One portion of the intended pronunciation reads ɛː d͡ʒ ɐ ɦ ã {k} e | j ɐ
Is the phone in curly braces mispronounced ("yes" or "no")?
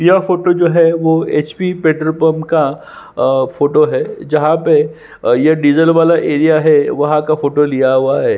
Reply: yes